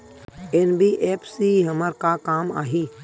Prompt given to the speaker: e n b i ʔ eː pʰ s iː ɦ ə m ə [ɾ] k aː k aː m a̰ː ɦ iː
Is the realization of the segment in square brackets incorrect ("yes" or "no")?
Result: no